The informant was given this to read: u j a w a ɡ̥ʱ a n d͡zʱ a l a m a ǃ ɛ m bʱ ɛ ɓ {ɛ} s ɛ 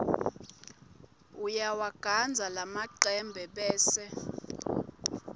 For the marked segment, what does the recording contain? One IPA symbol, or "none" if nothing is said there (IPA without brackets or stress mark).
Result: ɛː